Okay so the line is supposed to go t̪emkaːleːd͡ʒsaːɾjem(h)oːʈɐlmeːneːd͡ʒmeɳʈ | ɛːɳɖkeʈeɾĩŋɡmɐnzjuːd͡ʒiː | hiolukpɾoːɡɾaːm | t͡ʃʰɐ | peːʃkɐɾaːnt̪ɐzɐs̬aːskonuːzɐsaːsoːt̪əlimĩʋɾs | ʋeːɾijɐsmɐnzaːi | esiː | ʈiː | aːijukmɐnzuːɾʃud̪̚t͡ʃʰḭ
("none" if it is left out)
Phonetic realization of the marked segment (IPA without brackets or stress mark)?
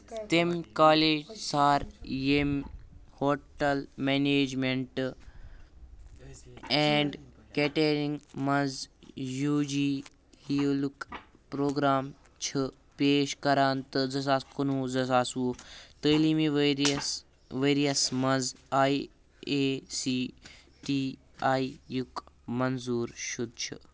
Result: h